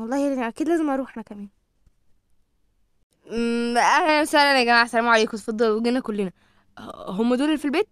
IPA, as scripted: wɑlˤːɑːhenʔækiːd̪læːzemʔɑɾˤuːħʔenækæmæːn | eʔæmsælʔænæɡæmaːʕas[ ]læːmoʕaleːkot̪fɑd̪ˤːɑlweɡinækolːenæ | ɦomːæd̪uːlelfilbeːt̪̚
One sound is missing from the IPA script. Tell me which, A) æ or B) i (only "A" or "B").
A